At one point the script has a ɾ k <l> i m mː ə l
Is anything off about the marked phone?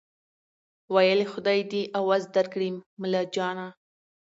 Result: yes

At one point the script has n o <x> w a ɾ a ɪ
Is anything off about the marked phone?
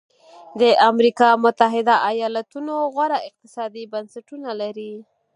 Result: yes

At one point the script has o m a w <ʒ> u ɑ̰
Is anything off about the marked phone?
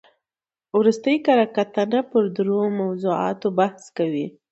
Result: yes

